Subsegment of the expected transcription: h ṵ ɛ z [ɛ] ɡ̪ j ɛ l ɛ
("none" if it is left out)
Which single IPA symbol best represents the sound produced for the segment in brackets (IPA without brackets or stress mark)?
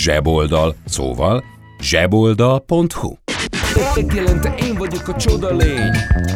ɛ